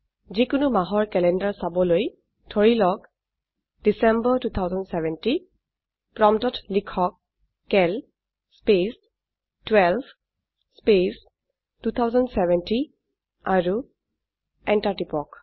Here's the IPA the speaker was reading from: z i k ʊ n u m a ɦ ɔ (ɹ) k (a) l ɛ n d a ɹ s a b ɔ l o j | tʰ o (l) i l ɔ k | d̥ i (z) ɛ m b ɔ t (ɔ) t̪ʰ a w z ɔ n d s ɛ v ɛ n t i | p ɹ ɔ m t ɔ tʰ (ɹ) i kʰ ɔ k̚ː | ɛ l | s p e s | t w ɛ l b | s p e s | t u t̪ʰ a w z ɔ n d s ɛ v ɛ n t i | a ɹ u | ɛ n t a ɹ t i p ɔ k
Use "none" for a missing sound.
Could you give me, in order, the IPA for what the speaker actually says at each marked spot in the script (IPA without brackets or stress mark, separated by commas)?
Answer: ɹ, ɛ, ɹ, s, u, l